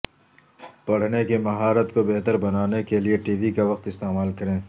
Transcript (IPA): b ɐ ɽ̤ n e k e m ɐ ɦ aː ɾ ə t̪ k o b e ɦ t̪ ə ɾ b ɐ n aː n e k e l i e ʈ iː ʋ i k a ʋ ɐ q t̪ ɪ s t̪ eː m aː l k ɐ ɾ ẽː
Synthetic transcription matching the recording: p ɐ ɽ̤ n e k e m ɐ ɦ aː ɾ ə t̪ k o b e ɦ t̪ ə ɾ b ɐ n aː n e k e l i e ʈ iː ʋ i k a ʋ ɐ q t̪ ɪ s t̪ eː m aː l k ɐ ɾ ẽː